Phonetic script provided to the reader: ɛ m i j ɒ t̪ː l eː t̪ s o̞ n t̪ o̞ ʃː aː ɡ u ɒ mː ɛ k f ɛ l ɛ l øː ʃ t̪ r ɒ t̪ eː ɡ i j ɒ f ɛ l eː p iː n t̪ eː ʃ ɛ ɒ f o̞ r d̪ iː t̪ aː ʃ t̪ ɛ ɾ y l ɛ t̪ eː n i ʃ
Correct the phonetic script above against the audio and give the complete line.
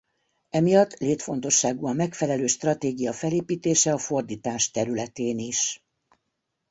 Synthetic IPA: ɛ m i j ɒ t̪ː l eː t̪ f o̞ n t̪ o̞ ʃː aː ɡ u ɒ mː ɛ k f ɛ l ɛ l øː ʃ t̪ r ɒ t̪ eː ɡ i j ɒ f ɛ l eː p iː t̪ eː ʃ ɛ ɒ f o̞ r d̪ iː t̪ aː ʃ t̪ ɛ ɾ y l ɛ t̪ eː n i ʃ